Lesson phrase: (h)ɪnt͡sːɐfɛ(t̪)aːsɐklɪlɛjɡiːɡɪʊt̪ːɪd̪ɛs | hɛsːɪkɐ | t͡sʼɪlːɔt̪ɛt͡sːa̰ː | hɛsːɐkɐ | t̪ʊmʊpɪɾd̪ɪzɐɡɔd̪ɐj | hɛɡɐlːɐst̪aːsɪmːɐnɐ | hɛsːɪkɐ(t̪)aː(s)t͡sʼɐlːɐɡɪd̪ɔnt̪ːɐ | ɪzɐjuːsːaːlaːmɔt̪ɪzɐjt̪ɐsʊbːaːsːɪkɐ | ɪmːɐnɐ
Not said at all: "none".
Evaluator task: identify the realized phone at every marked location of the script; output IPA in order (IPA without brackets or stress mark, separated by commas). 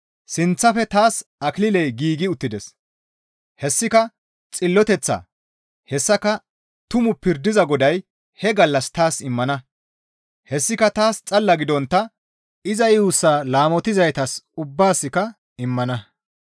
s, t̪, t̪, s